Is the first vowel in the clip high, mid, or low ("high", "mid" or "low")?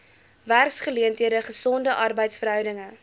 low